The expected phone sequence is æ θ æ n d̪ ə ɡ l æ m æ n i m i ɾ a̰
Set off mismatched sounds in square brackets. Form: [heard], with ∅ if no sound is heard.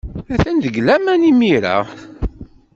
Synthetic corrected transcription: æ θ æ n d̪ ə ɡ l æ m æ n i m i ɾ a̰